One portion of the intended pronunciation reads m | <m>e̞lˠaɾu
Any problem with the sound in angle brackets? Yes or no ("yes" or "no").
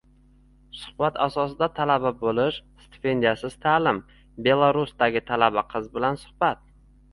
yes